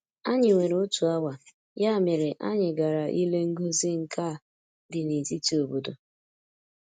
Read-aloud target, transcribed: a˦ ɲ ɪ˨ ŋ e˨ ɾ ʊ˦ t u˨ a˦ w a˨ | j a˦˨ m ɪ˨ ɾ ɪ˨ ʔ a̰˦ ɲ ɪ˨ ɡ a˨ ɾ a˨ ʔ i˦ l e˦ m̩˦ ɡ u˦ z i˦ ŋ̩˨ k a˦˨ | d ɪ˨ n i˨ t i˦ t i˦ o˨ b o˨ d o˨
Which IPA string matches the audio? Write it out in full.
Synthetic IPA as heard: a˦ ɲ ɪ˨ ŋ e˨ ɾ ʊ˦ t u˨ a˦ w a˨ | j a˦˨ m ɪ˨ ɾ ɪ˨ ʔ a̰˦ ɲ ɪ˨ ɡ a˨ ɾ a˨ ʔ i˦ l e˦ ŋ̩˦ ɡ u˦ z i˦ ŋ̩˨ k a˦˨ | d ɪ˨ n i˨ t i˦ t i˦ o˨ b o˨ d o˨